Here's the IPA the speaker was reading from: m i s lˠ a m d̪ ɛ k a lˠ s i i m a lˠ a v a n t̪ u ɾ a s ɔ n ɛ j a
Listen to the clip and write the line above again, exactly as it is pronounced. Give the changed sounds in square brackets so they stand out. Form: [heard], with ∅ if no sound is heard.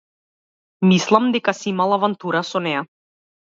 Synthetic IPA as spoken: m i s lˠ a m d̪ ɛ k a [∅] s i i m a lˠ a v a n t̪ u ɾ a s ɔ n ɛ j a